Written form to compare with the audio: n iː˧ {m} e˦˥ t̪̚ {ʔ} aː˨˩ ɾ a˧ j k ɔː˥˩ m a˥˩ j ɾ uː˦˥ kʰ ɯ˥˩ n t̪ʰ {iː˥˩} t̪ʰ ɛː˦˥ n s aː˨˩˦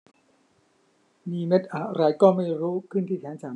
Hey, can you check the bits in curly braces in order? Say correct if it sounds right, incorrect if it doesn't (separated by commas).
correct, correct, correct